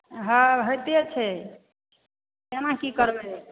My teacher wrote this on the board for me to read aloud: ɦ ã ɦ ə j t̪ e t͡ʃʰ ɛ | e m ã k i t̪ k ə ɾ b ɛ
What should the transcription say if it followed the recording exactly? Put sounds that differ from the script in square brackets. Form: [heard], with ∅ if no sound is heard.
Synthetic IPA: ɦ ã ɦ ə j t̪ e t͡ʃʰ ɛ | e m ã k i [∅] k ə ɾ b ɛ